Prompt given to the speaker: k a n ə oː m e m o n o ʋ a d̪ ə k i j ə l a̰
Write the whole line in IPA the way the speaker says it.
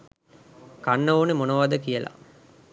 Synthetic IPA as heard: k a nː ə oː n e m o n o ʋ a d̪ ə k i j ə l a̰

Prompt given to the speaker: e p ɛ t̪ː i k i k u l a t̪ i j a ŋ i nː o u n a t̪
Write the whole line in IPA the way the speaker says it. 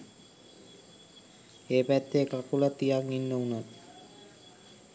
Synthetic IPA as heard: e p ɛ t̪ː e k a k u l a t̪ i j a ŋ i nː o u n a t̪

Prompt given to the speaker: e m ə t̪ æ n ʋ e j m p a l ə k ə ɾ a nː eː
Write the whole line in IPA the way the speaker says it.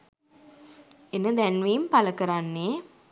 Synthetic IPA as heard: e n ə d̪ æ n ʋ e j m p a l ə k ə ɾ a nː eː

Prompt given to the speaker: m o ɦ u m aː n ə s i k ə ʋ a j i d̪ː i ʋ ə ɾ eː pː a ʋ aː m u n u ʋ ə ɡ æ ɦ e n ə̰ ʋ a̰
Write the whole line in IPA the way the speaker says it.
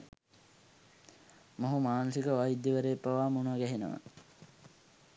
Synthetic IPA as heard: m o ɦ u m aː n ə s i k ə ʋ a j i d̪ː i ʋ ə ɾ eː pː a ʋ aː m u n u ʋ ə ɡ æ ɦ e n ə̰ ʋ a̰

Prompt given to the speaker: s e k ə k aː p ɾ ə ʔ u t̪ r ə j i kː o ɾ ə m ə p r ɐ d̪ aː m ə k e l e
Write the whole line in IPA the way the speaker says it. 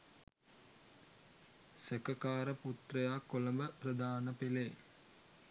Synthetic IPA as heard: s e k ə k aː ɾ ə p u t̪ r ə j a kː o l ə m ə p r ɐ d̪ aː n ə p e l e

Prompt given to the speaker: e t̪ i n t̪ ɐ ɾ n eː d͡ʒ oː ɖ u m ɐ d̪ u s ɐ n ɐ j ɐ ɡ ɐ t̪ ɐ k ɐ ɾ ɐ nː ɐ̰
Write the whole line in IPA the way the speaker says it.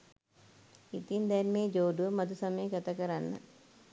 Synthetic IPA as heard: i t̪ i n d̪ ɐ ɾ m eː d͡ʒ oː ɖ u m ɐ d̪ u s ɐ m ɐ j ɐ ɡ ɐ t̪ ɐ k ɐ ɾ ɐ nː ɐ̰

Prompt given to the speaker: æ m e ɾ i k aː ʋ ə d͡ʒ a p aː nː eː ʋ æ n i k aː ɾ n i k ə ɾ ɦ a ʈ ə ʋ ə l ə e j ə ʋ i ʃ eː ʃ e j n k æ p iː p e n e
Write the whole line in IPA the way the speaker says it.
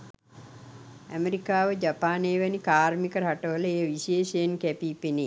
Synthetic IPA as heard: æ m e ɾ i k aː ʋ ə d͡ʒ a p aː n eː ʋ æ n i k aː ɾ m i k ə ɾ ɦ a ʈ ə ʋ ə l ə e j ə ʋ i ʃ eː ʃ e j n k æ p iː p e n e

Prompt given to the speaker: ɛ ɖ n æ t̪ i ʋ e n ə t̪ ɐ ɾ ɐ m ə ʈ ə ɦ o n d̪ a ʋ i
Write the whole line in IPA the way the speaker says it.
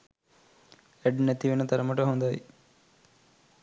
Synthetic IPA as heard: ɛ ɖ n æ t̪ i ʋ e n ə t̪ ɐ ɾ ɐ m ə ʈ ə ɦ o n d̪ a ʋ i

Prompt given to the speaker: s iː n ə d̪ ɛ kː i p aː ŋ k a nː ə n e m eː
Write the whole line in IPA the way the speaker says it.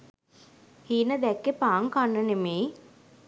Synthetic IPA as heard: h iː n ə d̪ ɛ kː e p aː ŋ k a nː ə n e m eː

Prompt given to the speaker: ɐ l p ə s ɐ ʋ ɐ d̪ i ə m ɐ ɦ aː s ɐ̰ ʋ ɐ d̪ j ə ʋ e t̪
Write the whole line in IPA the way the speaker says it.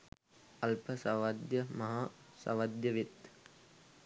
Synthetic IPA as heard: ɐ l p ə s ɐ ʋ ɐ d̪ j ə m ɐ ɦ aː s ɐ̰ ʋ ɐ d̪ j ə ʋ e t̪

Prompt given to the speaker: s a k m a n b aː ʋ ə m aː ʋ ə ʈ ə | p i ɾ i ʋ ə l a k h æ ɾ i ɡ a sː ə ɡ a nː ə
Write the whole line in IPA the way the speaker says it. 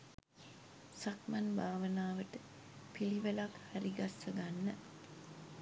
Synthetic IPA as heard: s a k m a n b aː ʋ ə n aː ʋ ə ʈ ə | p i l i ʋ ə l a k h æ ɾ i ɡ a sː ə ɡ a nː ə

